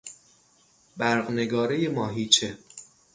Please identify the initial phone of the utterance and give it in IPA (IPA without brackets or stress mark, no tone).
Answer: b